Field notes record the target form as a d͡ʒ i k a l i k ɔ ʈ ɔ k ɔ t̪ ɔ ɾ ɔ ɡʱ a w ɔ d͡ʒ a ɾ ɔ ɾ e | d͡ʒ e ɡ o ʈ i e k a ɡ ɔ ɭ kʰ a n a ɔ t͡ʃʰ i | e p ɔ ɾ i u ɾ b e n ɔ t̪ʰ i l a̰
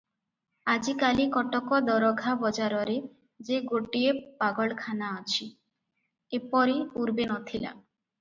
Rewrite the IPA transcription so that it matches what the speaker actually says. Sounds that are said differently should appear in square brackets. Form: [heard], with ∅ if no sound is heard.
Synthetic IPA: a d͡ʒ i k a l i k ɔ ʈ ɔ k ɔ [d̪] ɔ ɾ ɔ ɡʱ a [b] ɔ d͡ʒ a ɾ ɔ ɾ e | d͡ʒ e ɡ o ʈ i e [p] a ɡ ɔ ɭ kʰ a n a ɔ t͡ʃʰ i | e p ɔ ɾ i u ɾ b e n ɔ t̪ʰ i l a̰